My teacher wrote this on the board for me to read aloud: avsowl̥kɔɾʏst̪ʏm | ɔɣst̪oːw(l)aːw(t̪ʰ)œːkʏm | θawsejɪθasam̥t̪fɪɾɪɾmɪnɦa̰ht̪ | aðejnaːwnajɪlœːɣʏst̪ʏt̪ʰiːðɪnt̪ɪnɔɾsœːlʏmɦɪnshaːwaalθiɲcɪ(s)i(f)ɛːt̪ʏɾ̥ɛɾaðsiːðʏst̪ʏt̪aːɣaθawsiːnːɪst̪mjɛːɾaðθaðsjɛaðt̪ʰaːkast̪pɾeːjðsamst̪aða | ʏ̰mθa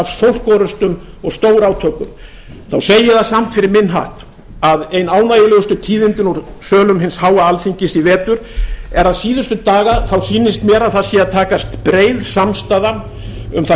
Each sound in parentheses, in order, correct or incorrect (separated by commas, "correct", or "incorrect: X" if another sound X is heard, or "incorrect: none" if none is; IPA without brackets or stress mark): incorrect: ɾ, correct, correct, incorrect: v